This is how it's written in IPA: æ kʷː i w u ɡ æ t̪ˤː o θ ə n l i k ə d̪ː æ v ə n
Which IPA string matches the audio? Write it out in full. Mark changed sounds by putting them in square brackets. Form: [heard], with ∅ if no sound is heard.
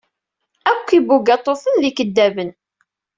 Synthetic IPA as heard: æ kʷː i [b] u ɡ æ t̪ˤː o θ ə n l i k ə d̪ː æ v ə n